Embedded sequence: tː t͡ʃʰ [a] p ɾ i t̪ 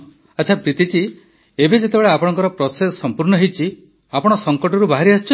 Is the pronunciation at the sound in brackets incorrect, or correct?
correct